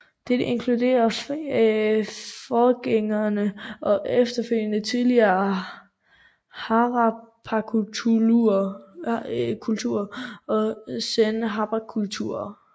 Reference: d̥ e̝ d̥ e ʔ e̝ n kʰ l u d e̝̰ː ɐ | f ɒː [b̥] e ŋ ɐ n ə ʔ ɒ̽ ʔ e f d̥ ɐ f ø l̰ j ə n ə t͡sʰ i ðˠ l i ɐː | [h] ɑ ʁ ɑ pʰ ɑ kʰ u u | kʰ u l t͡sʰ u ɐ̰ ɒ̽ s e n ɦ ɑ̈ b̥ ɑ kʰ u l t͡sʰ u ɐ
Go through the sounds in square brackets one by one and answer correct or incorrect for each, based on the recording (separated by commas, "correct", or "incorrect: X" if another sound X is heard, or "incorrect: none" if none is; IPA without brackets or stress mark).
incorrect: ɡ̥, correct